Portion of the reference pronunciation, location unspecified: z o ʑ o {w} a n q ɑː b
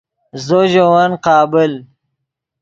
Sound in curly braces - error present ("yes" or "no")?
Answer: no